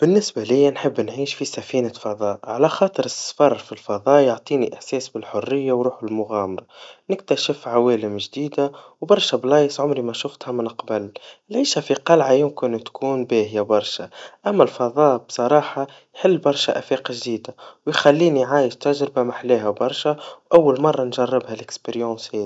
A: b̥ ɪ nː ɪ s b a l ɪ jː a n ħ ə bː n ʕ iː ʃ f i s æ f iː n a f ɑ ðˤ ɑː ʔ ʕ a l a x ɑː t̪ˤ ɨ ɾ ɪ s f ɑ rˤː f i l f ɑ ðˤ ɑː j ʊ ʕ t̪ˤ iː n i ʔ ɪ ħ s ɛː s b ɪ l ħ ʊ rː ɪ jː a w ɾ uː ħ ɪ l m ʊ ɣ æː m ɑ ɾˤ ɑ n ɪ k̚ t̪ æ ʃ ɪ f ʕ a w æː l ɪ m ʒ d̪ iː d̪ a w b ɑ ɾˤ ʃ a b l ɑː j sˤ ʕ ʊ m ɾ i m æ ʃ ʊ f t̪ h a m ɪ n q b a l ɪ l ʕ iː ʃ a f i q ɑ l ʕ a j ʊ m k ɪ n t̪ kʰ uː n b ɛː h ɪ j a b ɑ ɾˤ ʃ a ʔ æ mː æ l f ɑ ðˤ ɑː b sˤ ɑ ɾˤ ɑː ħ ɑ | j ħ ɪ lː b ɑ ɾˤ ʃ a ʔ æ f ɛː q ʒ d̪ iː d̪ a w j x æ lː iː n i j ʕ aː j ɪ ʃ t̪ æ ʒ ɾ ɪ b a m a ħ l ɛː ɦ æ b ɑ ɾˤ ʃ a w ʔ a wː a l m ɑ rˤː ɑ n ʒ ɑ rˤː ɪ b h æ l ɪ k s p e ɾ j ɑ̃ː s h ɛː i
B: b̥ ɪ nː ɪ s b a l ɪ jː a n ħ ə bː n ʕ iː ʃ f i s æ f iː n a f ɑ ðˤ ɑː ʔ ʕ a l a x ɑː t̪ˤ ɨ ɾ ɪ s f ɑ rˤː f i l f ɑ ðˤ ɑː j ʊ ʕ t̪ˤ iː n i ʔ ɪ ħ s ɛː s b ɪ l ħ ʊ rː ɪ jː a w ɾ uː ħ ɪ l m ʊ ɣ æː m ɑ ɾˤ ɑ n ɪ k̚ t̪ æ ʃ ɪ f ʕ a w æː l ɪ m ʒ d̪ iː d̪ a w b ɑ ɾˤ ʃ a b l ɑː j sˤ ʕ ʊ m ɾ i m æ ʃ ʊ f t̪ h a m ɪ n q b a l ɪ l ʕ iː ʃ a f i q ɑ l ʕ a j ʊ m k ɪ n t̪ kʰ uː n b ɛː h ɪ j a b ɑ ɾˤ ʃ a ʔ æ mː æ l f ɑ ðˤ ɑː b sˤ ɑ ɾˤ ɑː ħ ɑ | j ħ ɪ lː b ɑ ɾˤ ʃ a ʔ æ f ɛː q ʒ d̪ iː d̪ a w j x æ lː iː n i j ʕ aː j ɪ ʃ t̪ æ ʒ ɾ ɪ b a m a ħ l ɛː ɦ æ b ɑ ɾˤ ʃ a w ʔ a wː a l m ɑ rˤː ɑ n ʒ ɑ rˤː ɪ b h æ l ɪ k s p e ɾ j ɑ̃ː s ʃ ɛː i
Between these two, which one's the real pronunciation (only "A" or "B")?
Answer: A